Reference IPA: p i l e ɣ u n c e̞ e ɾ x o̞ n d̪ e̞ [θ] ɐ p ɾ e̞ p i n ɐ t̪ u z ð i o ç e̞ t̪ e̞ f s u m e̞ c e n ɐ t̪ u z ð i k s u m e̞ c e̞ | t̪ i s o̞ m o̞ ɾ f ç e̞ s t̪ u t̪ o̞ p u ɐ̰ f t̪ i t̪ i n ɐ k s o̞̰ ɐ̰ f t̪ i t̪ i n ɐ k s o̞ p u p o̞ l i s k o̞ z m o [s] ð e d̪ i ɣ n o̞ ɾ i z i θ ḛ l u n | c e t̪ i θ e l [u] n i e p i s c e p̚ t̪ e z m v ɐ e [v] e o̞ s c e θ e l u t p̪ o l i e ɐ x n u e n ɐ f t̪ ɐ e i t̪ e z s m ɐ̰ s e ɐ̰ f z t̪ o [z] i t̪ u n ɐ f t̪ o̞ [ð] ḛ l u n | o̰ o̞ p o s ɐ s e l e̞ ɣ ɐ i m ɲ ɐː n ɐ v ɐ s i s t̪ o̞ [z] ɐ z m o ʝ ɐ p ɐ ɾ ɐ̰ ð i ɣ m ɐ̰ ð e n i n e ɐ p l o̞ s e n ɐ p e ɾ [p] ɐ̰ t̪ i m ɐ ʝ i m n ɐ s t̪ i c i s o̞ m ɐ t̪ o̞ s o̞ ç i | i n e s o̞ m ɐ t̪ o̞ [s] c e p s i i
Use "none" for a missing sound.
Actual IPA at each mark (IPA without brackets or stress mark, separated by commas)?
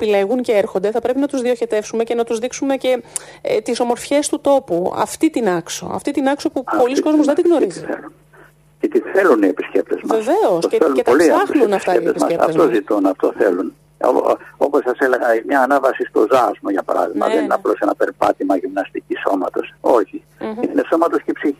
θ, z, u, v, z, θ, z, p, s